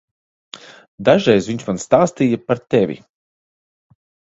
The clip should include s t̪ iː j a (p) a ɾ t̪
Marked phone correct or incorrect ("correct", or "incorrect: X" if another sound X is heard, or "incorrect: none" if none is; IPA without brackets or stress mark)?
correct